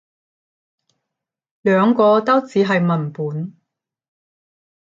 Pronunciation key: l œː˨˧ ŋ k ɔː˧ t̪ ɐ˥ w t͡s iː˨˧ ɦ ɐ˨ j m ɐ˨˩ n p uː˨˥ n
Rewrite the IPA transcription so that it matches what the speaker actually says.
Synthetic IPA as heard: l œː˨˧ ŋ k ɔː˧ t̪ ɐ˥ w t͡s iː˨˧ ɦ ɐ˨ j m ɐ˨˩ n p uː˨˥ n

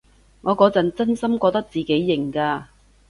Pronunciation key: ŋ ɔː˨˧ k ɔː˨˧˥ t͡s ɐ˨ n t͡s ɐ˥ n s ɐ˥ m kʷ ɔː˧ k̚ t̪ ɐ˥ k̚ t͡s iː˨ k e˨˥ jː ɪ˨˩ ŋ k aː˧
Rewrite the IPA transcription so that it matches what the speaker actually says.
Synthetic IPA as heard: ŋ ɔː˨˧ k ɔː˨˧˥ t͡s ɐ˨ n t͡s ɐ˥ n s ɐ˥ m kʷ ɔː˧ k̚ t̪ ɐ˥ k̚ t͡s iː˨ k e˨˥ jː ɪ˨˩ ŋ k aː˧

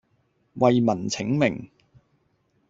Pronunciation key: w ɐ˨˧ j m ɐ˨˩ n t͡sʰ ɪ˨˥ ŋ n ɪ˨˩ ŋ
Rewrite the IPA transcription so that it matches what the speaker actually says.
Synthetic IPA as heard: w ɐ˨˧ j m ɐ˨˩ n t͡sʰ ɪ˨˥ ŋ m ɪ˨˩ ŋ

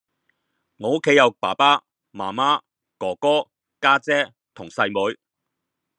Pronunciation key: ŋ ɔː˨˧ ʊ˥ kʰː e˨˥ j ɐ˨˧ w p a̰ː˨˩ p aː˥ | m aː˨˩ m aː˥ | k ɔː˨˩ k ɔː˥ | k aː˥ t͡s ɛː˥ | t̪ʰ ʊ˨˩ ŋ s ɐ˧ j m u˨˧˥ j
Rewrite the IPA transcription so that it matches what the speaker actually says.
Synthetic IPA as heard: ŋ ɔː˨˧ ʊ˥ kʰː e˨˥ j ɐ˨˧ w p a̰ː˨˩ p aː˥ | m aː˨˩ m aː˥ | k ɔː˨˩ k ɔː˥ | k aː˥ t͡s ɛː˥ | t̪ʰ ʊ˨˩ ŋ s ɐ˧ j m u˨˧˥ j

